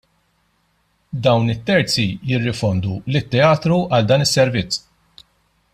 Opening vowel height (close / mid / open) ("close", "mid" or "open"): open